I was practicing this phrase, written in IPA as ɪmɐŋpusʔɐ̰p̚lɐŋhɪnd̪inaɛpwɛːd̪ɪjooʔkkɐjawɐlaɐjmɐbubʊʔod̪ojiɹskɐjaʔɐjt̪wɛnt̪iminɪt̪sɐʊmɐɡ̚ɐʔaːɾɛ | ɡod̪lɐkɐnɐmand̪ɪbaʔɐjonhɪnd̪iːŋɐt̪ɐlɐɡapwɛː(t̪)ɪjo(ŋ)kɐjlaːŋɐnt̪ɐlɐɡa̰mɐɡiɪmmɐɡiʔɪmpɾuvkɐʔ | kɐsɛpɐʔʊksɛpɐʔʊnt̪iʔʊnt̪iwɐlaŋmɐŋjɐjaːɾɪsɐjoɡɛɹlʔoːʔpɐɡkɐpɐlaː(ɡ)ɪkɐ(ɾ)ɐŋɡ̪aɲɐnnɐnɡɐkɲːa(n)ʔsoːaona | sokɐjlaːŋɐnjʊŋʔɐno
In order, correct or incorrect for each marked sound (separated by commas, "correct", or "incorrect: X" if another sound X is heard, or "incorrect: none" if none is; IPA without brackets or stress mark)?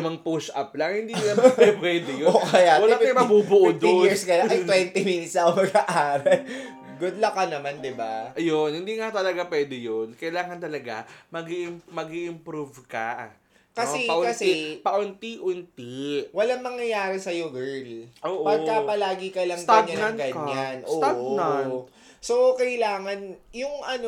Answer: incorrect: d̪, incorrect: n, correct, incorrect: l, correct